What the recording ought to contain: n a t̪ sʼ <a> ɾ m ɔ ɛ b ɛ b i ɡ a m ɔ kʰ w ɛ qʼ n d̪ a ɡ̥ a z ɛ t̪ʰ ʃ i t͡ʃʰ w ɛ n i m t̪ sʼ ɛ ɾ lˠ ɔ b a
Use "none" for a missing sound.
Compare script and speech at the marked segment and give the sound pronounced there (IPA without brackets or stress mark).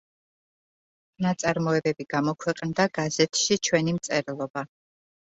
a